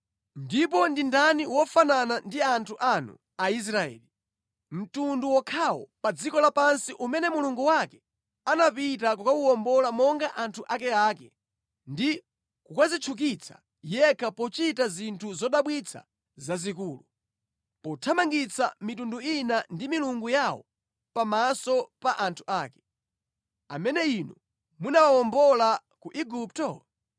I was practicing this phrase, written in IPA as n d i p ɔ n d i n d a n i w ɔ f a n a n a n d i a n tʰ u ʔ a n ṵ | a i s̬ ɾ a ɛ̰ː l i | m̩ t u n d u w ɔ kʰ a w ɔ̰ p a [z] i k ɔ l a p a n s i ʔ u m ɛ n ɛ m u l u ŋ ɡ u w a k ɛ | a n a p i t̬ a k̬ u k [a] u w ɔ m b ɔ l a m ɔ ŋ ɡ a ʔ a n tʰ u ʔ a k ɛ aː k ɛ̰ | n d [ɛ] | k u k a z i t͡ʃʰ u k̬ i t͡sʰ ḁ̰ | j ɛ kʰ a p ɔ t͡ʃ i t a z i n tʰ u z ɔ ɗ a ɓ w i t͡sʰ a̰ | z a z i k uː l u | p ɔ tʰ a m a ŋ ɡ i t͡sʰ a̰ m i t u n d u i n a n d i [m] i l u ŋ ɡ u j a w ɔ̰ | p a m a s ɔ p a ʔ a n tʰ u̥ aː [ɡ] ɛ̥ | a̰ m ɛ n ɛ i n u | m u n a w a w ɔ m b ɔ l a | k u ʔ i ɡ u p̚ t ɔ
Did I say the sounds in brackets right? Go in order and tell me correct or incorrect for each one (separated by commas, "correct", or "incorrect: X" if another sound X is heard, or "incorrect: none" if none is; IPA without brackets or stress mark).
incorrect: d͡z, correct, incorrect: i, correct, incorrect: k